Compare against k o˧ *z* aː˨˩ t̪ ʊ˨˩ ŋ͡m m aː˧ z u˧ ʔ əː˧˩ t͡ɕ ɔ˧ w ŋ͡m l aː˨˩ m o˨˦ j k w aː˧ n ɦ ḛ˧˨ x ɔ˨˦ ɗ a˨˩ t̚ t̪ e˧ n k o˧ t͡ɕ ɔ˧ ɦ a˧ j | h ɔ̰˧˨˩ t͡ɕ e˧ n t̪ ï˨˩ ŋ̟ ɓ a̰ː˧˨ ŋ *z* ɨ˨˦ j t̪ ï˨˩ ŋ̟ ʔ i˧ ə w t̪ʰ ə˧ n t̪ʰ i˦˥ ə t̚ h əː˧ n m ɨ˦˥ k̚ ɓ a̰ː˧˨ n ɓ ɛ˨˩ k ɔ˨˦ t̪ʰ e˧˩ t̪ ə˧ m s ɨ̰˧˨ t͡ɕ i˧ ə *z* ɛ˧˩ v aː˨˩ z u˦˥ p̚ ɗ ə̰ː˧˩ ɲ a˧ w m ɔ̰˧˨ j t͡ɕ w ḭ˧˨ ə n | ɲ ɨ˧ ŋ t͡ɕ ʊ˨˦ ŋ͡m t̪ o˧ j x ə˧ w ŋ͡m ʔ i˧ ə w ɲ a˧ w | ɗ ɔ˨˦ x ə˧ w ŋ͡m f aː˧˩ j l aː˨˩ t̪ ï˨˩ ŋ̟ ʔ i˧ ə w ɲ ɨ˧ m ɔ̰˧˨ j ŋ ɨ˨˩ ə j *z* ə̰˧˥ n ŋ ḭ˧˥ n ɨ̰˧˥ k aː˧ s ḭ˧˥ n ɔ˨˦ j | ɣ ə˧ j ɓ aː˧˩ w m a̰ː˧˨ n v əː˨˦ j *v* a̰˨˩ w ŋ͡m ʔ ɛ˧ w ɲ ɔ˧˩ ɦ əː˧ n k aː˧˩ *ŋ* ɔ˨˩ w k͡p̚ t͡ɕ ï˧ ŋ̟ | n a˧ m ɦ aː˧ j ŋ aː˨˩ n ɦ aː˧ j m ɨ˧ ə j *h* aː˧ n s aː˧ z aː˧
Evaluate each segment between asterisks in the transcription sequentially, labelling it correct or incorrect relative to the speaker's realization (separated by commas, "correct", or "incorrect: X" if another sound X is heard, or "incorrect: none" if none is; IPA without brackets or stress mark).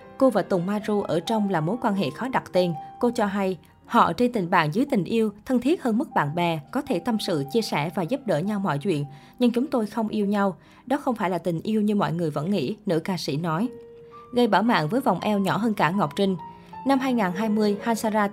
incorrect: v, correct, incorrect: s, incorrect: v, correct, correct, correct